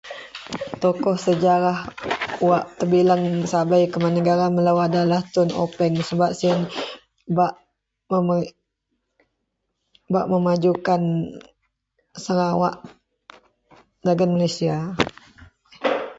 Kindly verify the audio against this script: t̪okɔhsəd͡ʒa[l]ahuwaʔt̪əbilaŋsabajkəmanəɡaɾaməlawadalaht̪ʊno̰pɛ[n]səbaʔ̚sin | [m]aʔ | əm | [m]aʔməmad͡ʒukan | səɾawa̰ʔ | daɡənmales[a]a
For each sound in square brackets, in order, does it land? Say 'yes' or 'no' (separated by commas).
no, no, no, no, no